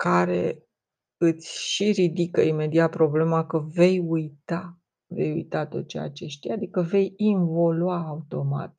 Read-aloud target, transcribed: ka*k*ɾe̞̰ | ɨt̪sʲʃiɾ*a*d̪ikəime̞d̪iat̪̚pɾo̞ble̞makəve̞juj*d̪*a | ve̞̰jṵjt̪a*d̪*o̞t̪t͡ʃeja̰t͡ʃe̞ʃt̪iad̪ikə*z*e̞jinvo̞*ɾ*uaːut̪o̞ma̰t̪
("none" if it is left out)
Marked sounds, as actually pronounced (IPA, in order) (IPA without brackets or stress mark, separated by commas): none, i, t̪, t̪, v, l